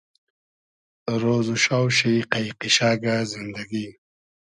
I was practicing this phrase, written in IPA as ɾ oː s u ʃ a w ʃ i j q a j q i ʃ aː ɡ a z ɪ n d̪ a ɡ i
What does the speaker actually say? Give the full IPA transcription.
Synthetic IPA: ɾ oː z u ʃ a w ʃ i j q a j q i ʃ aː ɡ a z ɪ n d̪ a ɡ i